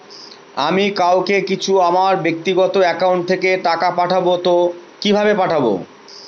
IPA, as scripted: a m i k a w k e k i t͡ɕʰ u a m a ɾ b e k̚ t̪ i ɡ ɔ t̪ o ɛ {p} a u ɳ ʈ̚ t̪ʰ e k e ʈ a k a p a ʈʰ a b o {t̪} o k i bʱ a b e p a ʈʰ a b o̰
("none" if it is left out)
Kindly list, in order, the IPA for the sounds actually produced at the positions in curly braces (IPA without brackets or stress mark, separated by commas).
k, t̪